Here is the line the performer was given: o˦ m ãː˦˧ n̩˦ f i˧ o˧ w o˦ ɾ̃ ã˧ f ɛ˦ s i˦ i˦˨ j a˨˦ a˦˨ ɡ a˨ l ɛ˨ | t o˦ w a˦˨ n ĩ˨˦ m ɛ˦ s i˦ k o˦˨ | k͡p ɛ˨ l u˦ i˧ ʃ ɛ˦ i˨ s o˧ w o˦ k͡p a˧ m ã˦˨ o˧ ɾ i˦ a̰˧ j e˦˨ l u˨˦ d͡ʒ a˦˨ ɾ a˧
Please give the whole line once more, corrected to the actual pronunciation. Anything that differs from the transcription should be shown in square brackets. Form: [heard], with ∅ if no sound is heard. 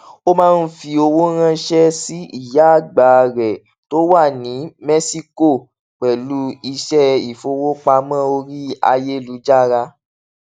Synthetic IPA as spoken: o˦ m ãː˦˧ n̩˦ f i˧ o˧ w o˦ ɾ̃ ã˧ [ʃ] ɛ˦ s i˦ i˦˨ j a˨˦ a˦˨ [ɡ͡b] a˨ [ɾ] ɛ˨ | t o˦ w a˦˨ n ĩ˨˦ m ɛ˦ s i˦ k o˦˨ | k͡p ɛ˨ l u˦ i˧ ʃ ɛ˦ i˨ [f] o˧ w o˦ k͡p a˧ m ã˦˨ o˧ ɾ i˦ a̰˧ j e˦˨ l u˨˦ d͡ʒ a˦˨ ɾ a˧

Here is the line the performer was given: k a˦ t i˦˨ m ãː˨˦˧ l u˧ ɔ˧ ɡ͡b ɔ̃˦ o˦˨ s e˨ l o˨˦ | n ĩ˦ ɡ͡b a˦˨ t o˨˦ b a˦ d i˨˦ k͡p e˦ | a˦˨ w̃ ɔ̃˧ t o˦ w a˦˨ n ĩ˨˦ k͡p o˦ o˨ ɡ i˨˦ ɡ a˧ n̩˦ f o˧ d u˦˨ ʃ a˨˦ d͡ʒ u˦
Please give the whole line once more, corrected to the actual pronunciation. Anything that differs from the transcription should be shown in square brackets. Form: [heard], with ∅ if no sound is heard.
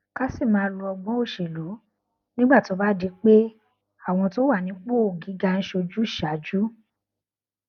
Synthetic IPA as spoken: k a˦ [s] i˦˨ m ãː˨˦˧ l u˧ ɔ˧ ɡ͡b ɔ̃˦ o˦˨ [ʃ] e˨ l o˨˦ | n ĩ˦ ɡ͡b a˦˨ t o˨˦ b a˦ d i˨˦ k͡p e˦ | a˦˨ w̃ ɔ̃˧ t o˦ w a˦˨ n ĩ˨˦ k͡p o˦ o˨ ɡ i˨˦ ɡ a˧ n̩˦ [ʃ] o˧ [d͡ʒ] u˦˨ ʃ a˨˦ d͡ʒ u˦

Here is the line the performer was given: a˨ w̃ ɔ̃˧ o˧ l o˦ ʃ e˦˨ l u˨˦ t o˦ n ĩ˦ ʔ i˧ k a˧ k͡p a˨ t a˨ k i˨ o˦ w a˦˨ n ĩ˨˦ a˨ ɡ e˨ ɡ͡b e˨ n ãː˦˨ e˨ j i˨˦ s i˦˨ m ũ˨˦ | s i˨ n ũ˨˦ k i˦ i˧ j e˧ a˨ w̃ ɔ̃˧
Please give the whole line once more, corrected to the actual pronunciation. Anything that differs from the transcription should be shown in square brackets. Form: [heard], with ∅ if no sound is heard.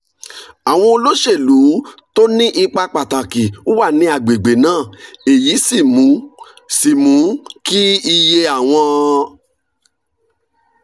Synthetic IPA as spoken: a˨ w̃ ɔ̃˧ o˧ l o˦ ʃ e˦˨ l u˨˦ t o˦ n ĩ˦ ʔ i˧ [k͡p] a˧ k͡p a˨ t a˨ k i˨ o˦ w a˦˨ n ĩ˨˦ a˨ [ɡ͡b] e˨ ɡ͡b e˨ n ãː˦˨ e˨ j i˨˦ s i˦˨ m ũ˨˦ | s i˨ [m] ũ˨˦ k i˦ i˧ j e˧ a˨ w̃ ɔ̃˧

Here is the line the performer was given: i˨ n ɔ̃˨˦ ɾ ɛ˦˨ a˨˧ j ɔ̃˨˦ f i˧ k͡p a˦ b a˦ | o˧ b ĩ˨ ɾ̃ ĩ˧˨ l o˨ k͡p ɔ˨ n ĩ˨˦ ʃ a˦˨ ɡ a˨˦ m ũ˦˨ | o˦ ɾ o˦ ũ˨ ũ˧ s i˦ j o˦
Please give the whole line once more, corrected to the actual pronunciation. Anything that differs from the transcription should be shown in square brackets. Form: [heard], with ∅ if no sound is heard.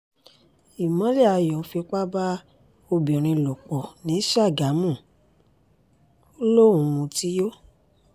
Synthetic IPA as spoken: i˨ [m] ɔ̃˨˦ [l] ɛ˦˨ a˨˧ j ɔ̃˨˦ f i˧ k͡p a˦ b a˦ | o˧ b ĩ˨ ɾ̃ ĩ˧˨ l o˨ k͡p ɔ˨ n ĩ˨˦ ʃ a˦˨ ɡ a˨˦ m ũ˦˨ | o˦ [l] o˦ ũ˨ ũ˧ [t] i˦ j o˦

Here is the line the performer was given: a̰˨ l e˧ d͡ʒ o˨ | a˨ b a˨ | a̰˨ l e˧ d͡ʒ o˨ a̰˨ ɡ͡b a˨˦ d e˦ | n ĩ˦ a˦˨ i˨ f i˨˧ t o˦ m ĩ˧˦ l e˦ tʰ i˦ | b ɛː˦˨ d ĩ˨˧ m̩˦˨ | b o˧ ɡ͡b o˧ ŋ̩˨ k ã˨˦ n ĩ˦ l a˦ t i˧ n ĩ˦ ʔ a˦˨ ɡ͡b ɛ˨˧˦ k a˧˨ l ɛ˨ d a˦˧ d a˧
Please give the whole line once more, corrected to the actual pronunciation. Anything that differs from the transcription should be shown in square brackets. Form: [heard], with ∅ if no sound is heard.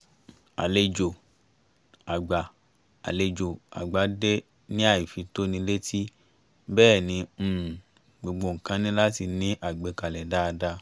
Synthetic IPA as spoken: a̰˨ l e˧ d͡ʒ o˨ | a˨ [ɡ͡b] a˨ | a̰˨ l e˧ d͡ʒ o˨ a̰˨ ɡ͡b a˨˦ d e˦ | n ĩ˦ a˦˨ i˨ f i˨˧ t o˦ [n] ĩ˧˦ l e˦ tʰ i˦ | b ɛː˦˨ [n] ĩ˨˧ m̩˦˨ | [ɡ͡b] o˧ ɡ͡b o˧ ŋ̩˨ k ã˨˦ n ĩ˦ l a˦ t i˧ n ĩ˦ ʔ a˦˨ ɡ͡b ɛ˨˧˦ k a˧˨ l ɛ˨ d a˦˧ d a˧

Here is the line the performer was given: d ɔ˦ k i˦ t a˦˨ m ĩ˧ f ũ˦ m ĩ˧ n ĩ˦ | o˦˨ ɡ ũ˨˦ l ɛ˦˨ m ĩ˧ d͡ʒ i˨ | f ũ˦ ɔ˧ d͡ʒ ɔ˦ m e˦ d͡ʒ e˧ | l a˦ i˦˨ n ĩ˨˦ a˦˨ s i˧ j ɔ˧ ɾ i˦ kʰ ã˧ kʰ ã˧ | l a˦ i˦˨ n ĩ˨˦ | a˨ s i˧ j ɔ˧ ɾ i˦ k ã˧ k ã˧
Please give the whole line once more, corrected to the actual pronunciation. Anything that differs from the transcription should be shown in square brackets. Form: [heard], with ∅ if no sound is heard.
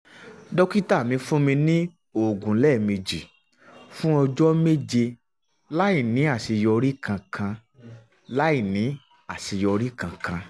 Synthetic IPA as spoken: d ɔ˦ k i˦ t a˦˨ m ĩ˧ f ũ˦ m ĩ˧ n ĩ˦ | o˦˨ ɡ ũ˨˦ l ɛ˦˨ m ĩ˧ d͡ʒ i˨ | f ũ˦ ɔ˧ d͡ʒ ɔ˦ m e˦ d͡ʒ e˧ | l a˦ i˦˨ n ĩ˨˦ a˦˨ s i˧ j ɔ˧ ɾ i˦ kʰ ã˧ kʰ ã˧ | l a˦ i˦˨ n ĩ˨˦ | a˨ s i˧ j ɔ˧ ɾ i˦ k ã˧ k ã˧

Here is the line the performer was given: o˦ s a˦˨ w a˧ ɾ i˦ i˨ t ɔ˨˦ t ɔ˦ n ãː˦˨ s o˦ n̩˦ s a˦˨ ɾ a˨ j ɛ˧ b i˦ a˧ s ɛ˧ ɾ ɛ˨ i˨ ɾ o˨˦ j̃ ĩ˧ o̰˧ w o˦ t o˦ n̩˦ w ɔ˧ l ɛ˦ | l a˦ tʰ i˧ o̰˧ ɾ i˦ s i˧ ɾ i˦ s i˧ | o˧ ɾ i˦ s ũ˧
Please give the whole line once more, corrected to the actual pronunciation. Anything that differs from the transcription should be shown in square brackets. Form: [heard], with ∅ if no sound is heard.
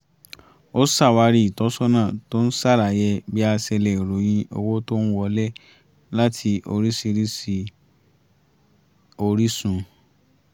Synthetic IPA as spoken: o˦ s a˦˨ w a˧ ɾ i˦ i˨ t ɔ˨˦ [s] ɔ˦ n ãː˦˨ [t] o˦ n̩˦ s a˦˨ ɾ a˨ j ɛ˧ b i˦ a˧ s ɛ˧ [l] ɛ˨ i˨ ɾ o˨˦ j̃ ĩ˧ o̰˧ w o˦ t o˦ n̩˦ w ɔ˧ l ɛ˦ | l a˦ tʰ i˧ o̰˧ ɾ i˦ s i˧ ɾ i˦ s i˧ | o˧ ɾ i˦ s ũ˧

